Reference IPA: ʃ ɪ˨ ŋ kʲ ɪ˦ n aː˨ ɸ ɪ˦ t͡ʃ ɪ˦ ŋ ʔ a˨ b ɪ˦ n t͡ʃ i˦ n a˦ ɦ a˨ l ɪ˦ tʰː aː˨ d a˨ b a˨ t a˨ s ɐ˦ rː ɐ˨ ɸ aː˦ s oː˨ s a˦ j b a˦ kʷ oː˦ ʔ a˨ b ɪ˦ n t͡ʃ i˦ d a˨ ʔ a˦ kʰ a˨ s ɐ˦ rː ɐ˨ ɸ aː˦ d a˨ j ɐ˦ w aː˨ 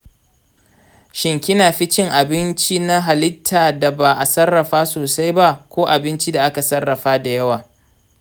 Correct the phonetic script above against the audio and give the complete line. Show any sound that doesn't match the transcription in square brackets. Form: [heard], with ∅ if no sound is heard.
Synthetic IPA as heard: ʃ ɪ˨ ŋ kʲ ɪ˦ n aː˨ ɸ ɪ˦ t͡ʃ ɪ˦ ŋ ʔ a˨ b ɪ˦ n t͡ʃ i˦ n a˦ ɦ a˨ l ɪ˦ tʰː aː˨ d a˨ b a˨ [ʔ] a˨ s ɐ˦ rː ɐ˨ ɸ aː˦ s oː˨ s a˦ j b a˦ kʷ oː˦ ʔ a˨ b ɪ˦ n t͡ʃ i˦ d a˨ ʔ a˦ [k] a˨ s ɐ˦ rː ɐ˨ ɸ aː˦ d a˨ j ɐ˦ w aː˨